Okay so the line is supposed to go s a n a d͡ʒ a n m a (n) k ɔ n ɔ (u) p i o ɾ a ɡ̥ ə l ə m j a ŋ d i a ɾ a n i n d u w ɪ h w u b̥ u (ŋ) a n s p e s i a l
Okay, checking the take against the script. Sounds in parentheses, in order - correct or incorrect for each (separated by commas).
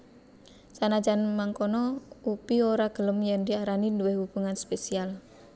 incorrect, correct, correct